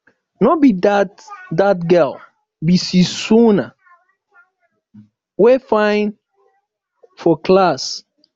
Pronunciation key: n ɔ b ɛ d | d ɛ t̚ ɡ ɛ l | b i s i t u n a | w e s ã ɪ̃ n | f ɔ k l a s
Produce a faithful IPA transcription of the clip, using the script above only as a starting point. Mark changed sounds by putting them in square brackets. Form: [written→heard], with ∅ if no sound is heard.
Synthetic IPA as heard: n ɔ b [ɛ→i] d | d [ɛ→a] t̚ ɡ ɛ l | b i s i [t→s] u n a | w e [s→f] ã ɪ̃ n | f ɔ k l a s